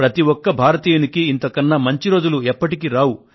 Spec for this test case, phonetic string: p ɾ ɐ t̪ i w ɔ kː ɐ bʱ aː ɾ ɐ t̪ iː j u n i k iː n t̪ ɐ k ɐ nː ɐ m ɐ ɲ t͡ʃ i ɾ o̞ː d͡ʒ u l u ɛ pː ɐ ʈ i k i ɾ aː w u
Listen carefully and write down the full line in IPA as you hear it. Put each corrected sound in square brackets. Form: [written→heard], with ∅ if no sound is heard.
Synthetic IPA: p ɾ ɐ t̪ i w ɔ kː ɐ bʱ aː ɾ ɐ t̪ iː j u n i k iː n t̪ ɐ k ɐ nː ɐ m ɐ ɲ t͡ʃ i ɾ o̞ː d͡ʒ u l u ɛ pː ɐ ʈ i k i ɾ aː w u